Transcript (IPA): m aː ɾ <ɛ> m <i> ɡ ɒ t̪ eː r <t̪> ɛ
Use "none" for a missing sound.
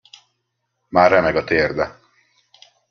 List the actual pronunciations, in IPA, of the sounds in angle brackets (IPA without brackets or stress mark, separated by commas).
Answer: ɛ, ɛ, d̪